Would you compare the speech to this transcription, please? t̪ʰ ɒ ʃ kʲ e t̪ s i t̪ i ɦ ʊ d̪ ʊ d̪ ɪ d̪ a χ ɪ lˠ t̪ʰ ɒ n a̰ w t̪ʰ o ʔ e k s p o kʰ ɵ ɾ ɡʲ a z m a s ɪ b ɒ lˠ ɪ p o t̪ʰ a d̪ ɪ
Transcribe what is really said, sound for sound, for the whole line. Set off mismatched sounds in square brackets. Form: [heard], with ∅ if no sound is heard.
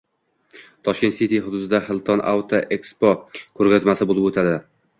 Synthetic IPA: t̪ʰ ɒ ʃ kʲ e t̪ s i t̪ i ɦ ʊ d̪ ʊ d̪ ɪ d̪ a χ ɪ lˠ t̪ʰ ɒ n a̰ w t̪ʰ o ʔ e k s p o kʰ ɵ ɾ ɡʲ a z m a s ɪ b [o] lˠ ɪ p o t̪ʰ a d̪ ɪ